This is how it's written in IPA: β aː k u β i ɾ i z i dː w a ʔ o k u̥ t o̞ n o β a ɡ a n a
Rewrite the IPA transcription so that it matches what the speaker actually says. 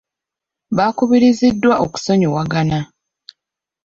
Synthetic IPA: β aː k u β i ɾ i z i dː w a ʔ o k u̥ s o̞ ɲ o w a ɡ a n a